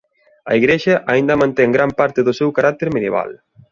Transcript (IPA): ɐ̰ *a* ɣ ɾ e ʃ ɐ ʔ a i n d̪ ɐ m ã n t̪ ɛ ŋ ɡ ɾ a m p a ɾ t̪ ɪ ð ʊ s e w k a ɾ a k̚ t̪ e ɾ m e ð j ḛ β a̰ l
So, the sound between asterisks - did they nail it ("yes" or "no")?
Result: no